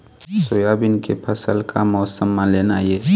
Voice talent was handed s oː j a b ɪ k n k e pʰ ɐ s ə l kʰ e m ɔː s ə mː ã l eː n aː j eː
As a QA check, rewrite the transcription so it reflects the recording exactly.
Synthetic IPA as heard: s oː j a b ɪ n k e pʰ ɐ s ə l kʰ a m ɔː s ə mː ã l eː n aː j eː